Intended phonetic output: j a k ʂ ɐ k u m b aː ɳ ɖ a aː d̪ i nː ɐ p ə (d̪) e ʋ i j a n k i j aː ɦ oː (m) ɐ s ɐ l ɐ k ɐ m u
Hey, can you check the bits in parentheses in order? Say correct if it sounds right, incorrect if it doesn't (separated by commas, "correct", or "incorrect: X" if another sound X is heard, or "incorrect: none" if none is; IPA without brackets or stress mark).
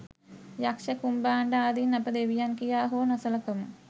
correct, incorrect: n